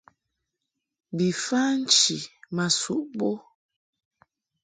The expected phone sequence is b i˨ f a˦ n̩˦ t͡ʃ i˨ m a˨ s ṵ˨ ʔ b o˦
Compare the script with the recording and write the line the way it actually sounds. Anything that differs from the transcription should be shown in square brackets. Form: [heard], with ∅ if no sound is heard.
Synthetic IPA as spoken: b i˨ f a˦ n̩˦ t͡ʃ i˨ m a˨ s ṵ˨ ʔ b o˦